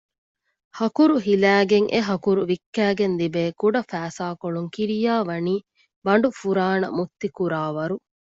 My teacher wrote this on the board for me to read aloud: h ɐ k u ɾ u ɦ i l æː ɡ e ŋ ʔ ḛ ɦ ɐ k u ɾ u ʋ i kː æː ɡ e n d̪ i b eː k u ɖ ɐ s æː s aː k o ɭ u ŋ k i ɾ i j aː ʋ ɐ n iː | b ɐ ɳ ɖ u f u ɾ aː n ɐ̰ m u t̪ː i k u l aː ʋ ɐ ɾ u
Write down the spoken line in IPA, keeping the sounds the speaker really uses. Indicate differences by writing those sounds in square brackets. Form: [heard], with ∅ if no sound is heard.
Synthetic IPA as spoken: h ɐ k u ɾ u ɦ i l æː ɡ e ŋ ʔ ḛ ɦ ɐ k u ɾ u ʋ i kː æː ɡ e n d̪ i b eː k u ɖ ɐ [f] æː s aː k o ɭ u ŋ k i ɾ i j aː ʋ ɐ n iː | b ɐ ɳ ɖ u f u ɾ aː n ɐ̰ m u t̪ː i k u [ɾ] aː ʋ ɐ ɾ u